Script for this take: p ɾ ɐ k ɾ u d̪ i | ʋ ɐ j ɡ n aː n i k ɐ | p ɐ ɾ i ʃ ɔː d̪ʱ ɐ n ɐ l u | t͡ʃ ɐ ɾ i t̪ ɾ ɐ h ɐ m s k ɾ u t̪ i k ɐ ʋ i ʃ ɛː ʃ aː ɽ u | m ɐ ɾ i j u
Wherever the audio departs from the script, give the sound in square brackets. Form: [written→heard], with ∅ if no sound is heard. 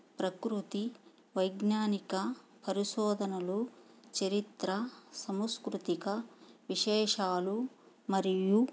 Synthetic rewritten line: p ɾ ɐ k ɾ u [d̪→t̪] i | ʋ ɐ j ɡ n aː n i k ɐ | p ɐ ɾ i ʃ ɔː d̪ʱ ɐ n ɐ l u | t͡ʃ ɐ ɾ i t̪ ɾ ɐ [h→s] ɐ m s k ɾ u t̪ i k ɐ ʋ i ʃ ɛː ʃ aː [ɽ→l] u | m ɐ ɾ i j u